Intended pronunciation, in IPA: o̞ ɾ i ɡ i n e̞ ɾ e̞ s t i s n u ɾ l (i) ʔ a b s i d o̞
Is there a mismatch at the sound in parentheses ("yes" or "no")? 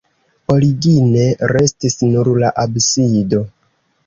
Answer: yes